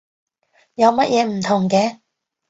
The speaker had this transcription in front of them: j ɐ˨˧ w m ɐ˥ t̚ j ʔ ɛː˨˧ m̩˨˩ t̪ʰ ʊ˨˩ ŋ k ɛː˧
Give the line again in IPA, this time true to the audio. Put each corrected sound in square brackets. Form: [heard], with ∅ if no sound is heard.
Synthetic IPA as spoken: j ɐ˨˧ w m ɐ˥ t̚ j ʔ ɛː˨˧ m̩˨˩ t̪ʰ ʊ˨˩ ŋ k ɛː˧